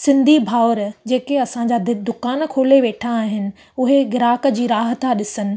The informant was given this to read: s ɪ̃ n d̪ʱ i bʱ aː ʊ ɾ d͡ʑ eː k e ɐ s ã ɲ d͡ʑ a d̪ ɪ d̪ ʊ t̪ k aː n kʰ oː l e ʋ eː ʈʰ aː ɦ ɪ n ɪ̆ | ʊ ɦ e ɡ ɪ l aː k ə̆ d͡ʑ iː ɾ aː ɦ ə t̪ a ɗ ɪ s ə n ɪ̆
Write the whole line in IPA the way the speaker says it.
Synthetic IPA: s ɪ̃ n d̪ʱ i bʱ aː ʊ ɾ d͡ʑ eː k e ɐ s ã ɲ d͡ʑ a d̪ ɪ d̪ ʊ k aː n kʰ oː l e ʋ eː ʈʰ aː ɦ ɪ n ɪ̆ | ʊ ɦ e ɡ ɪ ɾ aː k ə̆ d͡ʑ iː ɾ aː ɦ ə t̪ a ɗ ɪ s ə n ɪ̆